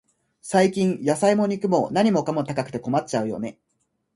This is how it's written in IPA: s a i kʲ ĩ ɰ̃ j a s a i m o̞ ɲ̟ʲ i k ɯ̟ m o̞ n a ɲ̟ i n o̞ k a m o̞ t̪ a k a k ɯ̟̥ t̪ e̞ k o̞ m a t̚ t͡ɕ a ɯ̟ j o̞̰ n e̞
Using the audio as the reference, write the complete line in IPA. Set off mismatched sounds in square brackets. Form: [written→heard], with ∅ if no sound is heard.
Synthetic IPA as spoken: s a i kʲ ĩ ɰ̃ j a s a i m o̞ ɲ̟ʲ i k ɯ̟ m o̞ n a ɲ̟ i [n→m] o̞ k a m o̞ t̪ a k a k ɯ̟̥ t̪ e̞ k o̞ m a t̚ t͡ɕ a ɯ̟ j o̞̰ n e̞